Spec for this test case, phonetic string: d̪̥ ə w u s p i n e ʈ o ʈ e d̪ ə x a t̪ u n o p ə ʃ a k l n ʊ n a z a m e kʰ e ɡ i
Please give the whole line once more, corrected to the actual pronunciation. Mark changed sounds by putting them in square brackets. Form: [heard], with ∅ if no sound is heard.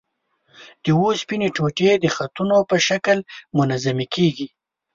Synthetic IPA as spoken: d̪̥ ə w [o] s p i n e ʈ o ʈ e d̪ ə x a t̪ u n o p ə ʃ a k l [m] ʊ n a z a m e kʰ e ɡ i